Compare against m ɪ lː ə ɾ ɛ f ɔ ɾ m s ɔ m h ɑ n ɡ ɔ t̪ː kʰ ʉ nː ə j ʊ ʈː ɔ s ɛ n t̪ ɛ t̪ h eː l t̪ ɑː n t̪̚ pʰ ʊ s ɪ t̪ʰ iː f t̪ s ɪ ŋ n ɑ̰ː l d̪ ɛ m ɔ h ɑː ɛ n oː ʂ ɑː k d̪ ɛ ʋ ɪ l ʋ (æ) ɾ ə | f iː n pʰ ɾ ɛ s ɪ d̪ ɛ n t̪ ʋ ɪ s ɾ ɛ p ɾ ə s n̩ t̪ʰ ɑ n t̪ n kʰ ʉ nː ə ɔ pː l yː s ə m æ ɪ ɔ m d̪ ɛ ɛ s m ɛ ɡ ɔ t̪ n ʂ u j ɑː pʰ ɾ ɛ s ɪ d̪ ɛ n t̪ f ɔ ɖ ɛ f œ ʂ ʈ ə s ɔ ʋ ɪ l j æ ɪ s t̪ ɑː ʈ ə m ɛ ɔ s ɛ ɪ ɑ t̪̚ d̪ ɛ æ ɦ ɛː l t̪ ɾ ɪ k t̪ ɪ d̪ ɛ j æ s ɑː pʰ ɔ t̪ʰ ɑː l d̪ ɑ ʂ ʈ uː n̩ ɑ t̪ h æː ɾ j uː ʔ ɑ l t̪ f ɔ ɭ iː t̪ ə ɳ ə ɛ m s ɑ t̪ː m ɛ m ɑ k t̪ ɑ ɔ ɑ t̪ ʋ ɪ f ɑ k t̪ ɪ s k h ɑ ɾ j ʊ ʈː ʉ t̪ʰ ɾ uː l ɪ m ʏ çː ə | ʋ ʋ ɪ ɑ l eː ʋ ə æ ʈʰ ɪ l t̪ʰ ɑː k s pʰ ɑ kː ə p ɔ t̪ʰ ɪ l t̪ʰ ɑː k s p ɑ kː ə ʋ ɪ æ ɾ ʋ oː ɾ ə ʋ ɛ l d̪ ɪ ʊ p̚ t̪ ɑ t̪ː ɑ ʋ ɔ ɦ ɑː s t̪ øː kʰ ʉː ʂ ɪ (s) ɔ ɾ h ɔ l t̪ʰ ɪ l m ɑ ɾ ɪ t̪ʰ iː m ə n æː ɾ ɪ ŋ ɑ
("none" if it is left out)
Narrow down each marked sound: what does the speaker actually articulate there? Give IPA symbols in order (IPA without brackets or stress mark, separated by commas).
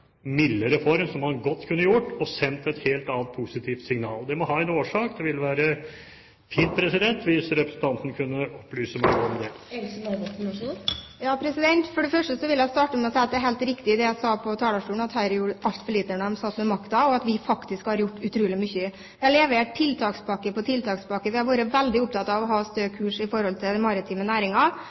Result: æː, f